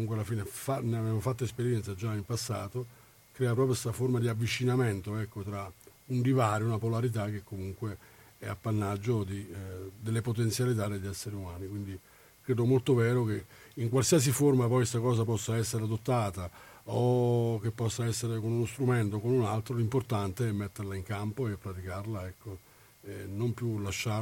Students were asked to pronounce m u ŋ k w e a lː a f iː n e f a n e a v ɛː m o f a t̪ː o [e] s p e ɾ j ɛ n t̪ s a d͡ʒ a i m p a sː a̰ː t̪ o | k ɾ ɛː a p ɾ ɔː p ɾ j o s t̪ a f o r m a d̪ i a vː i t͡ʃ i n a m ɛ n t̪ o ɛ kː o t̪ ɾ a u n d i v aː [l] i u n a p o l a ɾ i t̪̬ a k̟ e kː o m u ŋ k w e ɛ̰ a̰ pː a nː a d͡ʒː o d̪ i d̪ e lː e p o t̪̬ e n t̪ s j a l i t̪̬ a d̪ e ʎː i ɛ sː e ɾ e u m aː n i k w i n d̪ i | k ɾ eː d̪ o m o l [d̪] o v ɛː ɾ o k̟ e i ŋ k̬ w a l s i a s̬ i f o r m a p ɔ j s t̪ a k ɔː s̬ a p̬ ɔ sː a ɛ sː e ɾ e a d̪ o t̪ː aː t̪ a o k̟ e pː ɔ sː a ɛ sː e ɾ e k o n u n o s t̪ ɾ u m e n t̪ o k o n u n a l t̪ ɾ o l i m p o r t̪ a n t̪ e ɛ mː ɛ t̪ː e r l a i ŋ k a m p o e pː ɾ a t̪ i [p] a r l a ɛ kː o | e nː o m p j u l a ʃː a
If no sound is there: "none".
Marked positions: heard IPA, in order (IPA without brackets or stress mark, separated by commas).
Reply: e, ɾ, t̪, k